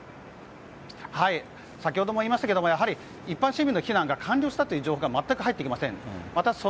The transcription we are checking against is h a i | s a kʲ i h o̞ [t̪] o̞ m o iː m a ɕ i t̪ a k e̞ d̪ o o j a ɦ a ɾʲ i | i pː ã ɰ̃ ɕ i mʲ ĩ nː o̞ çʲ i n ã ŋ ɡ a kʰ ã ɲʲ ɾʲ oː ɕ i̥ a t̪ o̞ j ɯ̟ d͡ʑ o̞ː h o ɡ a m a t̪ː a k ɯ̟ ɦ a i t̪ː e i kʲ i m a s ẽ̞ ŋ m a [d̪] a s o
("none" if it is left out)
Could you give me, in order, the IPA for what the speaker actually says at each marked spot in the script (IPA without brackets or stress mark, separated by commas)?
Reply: d̪, t̪